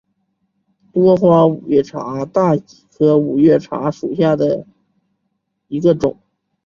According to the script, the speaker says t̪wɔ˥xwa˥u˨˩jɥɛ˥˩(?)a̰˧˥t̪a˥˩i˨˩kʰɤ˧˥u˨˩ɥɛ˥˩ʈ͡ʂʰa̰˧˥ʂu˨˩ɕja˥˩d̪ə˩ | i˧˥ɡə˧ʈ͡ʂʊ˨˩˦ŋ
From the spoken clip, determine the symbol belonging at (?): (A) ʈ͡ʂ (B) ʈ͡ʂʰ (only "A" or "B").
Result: B